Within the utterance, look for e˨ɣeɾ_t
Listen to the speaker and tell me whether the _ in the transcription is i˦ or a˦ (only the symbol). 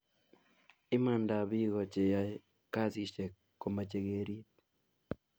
i˦